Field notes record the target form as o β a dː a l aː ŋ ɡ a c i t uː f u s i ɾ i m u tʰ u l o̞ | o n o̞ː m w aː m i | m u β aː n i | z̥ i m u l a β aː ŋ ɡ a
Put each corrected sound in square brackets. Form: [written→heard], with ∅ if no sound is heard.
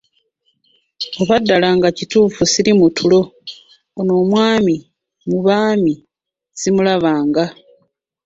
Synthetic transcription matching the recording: o β a dː a l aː ŋ ɡ a c i t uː f u s i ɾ i m u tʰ u l o̞ | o n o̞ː m w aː m i | m u β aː [n→m] i | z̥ i m u l a β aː ŋ ɡ a